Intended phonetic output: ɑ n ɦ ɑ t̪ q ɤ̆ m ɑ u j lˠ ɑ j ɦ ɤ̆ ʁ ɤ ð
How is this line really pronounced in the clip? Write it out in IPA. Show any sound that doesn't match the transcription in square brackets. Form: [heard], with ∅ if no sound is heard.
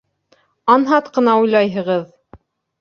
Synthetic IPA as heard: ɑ n ɦ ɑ t̪ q ɤ̆ [n] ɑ u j lˠ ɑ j ɦ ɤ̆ ʁ ɤ ð